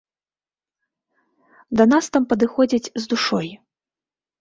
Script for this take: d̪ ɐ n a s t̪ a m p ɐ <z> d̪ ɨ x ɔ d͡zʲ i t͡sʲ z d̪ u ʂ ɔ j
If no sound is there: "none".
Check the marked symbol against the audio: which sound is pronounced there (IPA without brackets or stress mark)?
none